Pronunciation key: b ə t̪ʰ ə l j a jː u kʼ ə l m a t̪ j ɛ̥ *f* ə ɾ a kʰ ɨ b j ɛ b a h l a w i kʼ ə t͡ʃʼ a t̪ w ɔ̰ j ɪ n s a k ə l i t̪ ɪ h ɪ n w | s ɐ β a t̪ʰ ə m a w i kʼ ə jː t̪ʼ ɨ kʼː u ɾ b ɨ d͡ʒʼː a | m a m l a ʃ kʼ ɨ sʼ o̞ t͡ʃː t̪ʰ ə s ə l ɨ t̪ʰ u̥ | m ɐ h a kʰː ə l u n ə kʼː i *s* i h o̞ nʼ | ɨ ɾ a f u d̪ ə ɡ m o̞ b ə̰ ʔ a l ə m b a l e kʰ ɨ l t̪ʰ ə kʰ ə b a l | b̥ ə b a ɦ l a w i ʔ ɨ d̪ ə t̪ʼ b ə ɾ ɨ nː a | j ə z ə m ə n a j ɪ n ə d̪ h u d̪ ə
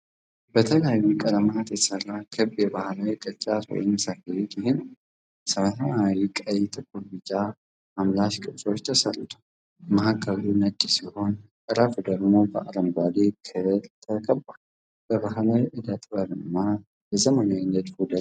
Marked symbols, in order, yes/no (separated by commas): no, yes